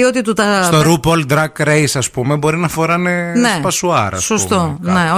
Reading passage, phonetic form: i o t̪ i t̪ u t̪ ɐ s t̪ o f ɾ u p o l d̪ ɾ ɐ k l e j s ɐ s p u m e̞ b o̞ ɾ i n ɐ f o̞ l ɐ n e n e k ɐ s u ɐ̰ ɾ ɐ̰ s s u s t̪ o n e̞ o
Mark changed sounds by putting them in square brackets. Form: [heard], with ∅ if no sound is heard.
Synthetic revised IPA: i o t̪ i t̪ u t̪ ɐ s t̪ o [∅] ɾ u p o l d̪ ɾ ɐ k [ɾ] e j s ɐ s p u m e̞ b o̞ ɾ i n ɐ f o̞ [ɾ] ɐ n e n e [p] ɐ s u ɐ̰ ɾ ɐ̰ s s [o] s t̪ o n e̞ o